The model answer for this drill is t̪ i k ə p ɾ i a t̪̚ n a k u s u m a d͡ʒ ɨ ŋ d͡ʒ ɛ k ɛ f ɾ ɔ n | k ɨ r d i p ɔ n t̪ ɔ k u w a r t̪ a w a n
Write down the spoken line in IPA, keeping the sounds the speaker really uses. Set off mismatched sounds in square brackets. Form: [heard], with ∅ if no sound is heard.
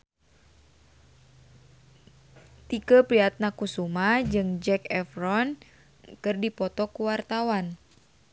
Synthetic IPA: t̪ i k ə p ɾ i a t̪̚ n a k u s u m a d͡ʒ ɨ ŋ d͡ʒ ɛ k ɛ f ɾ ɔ n | k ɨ r d i p ɔ [∅] t̪ ɔ k u w a r t̪ a w a n